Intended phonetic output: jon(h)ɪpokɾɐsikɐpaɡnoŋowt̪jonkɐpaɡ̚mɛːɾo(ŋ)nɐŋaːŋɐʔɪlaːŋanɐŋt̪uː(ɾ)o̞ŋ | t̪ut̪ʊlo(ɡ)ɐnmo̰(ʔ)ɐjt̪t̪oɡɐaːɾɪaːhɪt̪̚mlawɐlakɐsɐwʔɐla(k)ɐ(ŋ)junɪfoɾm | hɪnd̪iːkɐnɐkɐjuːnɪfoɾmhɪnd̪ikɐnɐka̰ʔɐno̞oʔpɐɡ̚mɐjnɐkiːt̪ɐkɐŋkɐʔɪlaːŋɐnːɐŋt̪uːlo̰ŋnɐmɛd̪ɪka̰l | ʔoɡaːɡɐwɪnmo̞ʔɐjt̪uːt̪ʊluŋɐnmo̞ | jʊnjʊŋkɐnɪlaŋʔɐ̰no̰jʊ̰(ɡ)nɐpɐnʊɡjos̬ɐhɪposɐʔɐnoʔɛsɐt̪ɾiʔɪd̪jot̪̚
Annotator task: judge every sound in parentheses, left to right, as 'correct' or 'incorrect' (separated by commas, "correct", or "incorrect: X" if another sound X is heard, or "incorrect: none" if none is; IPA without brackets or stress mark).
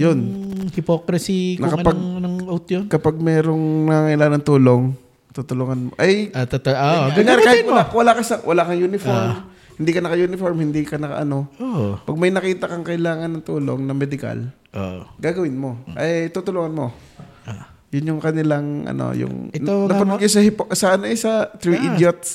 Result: correct, correct, incorrect: l, incorrect: ŋ, correct, correct, correct, incorrect: ŋ